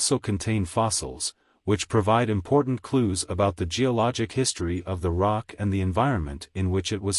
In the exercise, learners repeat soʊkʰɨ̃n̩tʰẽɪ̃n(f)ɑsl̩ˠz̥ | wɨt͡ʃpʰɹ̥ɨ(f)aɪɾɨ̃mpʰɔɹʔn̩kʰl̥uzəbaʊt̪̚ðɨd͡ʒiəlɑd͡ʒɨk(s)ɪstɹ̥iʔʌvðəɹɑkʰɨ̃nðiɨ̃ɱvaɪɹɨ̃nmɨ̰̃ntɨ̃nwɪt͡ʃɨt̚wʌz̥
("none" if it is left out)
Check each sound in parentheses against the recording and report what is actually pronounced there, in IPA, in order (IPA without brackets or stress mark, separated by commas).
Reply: f, v, h